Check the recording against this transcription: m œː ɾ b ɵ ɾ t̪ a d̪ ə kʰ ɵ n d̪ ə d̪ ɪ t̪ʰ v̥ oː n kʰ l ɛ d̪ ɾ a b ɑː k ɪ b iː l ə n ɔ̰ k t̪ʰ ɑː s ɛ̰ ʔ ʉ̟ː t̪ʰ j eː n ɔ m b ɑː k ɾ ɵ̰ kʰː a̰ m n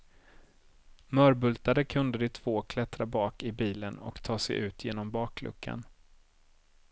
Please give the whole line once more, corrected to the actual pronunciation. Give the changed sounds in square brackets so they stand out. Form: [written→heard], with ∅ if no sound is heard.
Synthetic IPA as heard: m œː ɾ b ɵ [ɾ→l] t̪ a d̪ ə kʰ ɵ n d̪ ə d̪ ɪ t̪ʰ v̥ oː [n→∅] kʰ l ɛ [d̪→t̪] ɾ a b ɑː k ɪ b iː l ə n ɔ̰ k t̪ʰ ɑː s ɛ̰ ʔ ʉ̟ː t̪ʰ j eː n ɔ m b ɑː k [ɾ→l] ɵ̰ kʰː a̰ [m→∅] n